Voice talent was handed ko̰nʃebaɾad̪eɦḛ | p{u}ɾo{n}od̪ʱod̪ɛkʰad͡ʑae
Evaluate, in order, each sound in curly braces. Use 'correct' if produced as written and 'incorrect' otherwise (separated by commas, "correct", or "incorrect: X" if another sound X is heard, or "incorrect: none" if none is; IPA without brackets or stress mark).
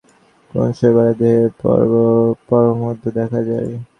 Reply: incorrect: ɔ, incorrect: m